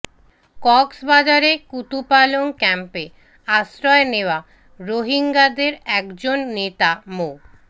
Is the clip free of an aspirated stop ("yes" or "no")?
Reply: yes